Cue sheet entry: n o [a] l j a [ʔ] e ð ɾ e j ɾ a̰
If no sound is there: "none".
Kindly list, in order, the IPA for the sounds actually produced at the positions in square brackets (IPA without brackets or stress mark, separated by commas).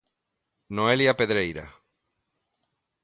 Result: e, p